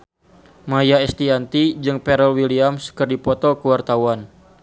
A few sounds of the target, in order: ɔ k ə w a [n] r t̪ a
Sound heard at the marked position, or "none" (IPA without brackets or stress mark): none